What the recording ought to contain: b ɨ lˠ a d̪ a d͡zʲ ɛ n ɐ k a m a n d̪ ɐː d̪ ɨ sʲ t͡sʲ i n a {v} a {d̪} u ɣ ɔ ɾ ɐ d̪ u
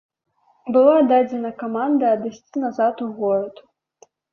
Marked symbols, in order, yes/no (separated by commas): no, no